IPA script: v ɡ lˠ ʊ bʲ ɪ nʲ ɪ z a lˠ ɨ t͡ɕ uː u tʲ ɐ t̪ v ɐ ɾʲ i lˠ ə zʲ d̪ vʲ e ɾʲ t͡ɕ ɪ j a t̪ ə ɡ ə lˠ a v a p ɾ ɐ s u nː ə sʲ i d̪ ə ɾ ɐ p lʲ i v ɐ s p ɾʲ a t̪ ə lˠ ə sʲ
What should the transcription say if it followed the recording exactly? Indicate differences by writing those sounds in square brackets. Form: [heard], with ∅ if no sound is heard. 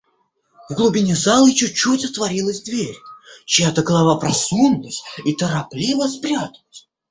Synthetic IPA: v ɡ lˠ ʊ bʲ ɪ nʲ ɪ z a lˠ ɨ t͡ɕ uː u tʲ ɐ t̪ v ɐ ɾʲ i lˠ ə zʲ d̪ vʲ e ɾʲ t͡ɕ ɪ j a t̪ ə ɡ ə lˠ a v a p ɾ ɐ s u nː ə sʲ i [t̪] ə ɾ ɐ p lʲ i v [ə] s p ɾʲ a t̪ ə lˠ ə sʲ